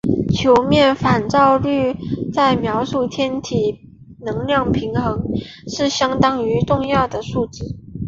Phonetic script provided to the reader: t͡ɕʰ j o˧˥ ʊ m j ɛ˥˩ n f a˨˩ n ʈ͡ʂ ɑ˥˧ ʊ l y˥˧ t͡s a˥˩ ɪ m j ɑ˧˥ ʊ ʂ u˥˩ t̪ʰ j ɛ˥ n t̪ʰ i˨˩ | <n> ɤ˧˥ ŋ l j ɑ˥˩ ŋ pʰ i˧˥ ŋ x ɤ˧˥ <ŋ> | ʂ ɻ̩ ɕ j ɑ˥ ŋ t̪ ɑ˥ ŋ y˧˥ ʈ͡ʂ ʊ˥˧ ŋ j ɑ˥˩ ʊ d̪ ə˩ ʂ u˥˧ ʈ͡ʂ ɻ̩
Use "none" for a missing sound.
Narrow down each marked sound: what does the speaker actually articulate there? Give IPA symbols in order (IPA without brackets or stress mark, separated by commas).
n, ŋ